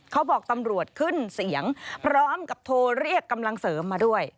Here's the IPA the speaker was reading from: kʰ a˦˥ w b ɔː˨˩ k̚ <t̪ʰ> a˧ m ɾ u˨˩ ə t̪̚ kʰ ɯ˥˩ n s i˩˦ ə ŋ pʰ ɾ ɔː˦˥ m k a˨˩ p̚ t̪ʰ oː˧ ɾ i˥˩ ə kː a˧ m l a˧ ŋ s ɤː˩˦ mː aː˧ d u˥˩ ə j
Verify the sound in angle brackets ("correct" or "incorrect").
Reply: incorrect